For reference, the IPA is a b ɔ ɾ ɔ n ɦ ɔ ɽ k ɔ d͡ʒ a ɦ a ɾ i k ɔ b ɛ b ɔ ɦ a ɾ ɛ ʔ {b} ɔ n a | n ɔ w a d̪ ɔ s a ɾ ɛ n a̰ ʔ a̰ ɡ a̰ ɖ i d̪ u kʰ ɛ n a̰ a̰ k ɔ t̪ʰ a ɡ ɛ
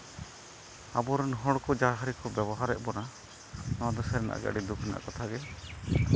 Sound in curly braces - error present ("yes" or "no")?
no